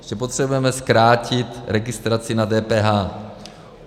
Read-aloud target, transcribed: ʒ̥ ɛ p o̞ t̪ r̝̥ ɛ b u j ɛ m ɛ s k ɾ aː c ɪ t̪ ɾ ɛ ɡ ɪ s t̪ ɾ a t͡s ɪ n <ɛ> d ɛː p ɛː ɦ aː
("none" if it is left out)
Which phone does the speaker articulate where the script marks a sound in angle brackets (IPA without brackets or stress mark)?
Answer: a